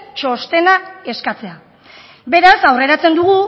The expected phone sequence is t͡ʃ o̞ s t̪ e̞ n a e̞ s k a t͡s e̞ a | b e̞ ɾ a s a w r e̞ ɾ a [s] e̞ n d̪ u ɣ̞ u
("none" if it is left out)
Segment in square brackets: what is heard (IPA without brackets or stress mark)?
t͡s